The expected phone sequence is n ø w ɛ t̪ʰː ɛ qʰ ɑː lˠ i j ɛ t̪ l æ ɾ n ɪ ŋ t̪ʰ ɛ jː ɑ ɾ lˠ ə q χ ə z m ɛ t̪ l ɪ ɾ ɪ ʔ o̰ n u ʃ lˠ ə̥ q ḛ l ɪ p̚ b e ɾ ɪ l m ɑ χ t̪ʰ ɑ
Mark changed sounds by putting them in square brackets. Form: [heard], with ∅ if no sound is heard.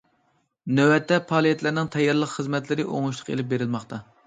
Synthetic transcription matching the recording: n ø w ɛ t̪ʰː ɛ [pʰ] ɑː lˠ i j ɛ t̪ l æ ɾ n ɪ ŋ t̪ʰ ɛ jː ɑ ɾ lˠ ə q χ ə z m ɛ t̪ l ɪ ɾ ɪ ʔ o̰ [ŋ] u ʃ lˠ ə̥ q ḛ l ɪ p̚ b e ɾ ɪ l m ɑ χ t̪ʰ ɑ